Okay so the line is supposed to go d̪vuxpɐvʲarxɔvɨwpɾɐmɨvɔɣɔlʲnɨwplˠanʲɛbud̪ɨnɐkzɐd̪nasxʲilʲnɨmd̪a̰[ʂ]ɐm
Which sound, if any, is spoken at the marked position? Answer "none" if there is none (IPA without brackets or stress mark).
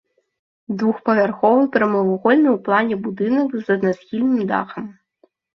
x